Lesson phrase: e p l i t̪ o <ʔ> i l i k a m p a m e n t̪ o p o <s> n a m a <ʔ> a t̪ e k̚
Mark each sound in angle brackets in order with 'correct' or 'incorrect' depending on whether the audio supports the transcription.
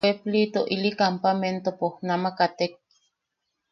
correct, incorrect, incorrect

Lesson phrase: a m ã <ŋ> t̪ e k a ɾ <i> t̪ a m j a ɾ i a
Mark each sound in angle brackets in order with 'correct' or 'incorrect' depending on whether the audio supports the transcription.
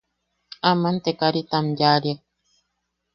incorrect, correct

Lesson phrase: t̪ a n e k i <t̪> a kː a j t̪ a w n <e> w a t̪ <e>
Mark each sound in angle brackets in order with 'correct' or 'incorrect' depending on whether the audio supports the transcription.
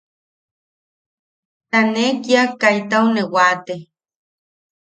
incorrect, correct, correct

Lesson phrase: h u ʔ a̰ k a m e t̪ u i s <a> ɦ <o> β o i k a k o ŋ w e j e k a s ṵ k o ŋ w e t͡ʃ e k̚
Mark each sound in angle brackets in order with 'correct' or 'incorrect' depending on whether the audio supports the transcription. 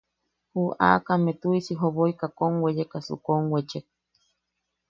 incorrect, correct

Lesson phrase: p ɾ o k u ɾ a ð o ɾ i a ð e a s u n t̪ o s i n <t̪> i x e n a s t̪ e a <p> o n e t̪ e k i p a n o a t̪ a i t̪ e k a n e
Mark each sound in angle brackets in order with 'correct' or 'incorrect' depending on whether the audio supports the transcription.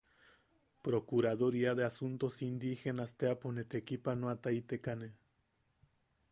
incorrect, correct

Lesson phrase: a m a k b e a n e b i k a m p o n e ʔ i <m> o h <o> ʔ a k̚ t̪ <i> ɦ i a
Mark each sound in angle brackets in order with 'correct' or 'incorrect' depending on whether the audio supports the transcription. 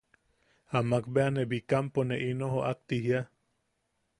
incorrect, correct, correct

